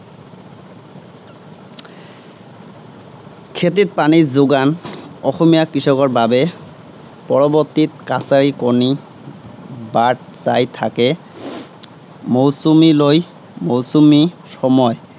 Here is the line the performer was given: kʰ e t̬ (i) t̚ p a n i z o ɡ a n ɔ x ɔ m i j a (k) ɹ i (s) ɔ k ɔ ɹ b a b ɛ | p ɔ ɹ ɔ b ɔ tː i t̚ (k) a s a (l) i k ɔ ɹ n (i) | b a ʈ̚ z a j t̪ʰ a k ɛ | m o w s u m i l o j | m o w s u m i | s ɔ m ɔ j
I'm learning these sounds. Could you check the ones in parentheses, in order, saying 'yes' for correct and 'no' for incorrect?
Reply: yes, yes, yes, yes, no, yes

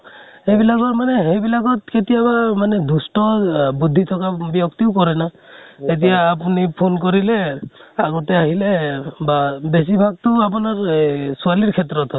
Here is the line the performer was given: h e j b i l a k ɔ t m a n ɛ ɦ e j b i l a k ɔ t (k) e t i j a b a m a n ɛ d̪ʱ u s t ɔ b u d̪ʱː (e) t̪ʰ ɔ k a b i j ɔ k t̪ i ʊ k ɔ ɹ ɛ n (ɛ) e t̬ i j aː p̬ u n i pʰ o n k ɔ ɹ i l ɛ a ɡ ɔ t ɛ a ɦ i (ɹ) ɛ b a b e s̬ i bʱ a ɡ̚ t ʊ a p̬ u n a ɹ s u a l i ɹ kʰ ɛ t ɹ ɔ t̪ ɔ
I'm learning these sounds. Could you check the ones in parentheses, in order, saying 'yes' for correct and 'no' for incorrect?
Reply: yes, no, no, no

